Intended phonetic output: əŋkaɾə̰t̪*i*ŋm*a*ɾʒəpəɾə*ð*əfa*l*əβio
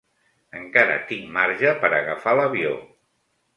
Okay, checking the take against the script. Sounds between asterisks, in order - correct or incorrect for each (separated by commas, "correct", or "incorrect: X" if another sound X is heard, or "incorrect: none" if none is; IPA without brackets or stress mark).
correct, correct, incorrect: ɣ, correct